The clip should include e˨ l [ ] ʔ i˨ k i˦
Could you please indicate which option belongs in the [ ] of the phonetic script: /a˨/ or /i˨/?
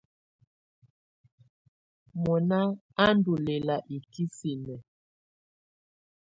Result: a˨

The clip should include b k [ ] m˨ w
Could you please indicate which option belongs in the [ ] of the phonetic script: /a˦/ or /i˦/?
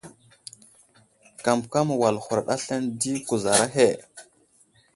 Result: a˦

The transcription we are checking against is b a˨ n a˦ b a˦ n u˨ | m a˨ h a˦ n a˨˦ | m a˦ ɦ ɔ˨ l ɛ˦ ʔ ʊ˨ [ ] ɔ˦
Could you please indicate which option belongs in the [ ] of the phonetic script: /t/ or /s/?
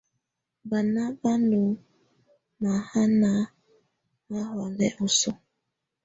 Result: s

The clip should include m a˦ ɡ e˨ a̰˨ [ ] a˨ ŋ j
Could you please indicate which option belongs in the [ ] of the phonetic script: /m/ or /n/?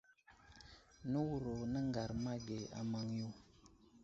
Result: m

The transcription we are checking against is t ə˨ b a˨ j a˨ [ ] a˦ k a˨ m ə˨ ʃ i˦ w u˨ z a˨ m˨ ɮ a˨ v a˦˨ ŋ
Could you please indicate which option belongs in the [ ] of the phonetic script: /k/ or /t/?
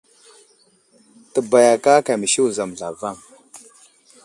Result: k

